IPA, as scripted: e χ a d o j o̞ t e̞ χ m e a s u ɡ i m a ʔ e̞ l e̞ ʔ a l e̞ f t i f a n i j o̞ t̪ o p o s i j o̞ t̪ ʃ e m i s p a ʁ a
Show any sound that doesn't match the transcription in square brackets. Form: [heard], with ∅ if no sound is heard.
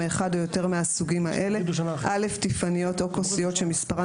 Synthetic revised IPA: e χ a d o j o̞ t e̞ [ʁ] m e a s u ɡ i m a ʔ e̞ l e̞ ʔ a l e̞ f t i f a n i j o̞ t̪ o [k] o s i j o̞ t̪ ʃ e m i s p a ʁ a